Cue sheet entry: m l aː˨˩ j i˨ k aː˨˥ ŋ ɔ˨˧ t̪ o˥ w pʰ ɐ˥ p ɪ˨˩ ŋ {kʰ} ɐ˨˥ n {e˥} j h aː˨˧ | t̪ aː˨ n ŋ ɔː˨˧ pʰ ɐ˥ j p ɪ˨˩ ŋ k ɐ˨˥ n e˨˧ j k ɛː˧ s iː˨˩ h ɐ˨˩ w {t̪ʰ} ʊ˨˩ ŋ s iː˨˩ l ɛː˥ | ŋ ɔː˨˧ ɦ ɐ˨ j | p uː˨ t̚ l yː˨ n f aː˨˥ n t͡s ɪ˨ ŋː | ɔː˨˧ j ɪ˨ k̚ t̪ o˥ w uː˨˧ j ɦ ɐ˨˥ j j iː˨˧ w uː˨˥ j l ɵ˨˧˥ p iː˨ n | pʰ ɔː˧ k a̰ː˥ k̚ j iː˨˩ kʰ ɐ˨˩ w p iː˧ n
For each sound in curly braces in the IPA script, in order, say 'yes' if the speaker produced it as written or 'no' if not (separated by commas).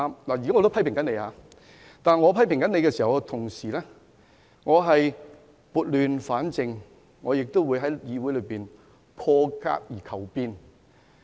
no, no, yes